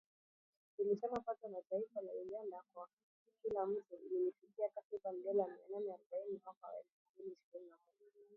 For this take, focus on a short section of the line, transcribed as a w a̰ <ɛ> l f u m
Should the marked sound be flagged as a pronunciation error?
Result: no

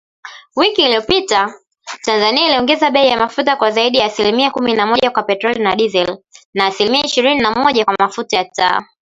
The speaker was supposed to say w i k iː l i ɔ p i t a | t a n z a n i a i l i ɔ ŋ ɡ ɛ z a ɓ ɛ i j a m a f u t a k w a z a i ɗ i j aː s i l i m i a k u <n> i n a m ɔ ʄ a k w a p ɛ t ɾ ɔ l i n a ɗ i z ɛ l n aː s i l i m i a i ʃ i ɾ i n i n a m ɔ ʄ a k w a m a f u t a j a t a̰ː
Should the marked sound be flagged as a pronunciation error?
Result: yes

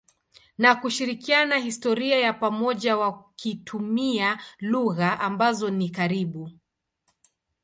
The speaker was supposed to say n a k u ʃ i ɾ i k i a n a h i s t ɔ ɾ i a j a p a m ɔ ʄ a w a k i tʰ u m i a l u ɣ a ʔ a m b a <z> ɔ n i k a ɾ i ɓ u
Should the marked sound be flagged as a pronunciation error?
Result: no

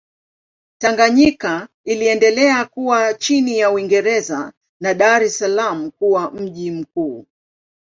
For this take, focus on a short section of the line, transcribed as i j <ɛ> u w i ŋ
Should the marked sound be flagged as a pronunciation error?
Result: yes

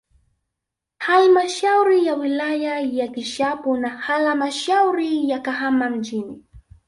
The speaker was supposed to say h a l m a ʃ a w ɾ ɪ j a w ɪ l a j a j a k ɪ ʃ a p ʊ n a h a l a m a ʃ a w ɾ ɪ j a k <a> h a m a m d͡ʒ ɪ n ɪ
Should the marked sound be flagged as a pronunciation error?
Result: no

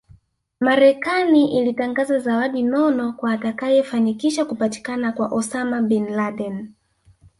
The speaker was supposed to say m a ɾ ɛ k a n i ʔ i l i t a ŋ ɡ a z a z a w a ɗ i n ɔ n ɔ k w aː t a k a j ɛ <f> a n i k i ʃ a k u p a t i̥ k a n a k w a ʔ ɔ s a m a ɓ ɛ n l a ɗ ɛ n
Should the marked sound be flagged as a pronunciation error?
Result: no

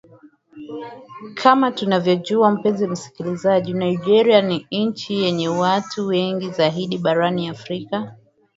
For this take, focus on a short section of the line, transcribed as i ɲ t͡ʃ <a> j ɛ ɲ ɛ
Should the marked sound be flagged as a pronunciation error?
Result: yes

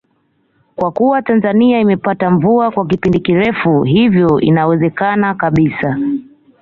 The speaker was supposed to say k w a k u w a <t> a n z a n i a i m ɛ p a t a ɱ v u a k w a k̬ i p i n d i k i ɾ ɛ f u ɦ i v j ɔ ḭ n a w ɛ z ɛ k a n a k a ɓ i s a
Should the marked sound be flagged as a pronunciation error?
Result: no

